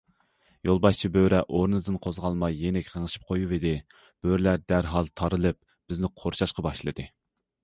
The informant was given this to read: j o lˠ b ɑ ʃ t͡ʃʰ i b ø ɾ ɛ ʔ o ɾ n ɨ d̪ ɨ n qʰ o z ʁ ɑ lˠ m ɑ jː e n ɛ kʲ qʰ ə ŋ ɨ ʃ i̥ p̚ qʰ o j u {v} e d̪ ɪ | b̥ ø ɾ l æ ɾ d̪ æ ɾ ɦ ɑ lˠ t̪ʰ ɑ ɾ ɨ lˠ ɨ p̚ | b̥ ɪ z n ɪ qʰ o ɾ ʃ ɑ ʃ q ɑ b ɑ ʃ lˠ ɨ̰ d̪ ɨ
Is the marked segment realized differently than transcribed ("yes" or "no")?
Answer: no